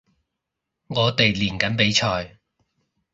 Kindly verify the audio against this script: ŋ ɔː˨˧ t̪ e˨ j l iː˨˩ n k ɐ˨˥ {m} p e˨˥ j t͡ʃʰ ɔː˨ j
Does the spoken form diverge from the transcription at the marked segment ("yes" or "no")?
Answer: yes